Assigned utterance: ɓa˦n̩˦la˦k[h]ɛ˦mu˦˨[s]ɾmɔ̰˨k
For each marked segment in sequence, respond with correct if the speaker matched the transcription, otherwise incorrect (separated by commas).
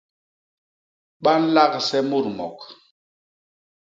incorrect, incorrect